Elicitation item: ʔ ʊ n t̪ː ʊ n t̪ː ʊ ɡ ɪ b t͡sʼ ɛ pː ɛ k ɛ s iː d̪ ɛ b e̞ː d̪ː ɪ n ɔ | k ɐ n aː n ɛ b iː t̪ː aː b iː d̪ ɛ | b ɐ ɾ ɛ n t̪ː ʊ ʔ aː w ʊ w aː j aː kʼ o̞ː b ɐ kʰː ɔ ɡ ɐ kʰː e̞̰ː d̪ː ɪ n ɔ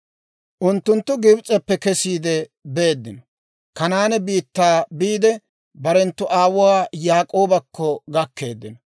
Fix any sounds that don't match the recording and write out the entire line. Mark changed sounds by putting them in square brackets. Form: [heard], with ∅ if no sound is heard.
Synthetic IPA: ʔ ʊ n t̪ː ʊ n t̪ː ʊ ɡ ɪ b t͡sʼ ɛ pː ɛ k ɛ s iː d̪ ɛ b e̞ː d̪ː ɪ n ɔ | k ɐ n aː n ɛ b iː t̪ː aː b iː d̪ ɛ | b ɐ ɾ ɛ n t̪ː ʊ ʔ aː w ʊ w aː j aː kʼ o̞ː b ɐ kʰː ɔ ɡ ɐ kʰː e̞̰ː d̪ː ɪ n ɔ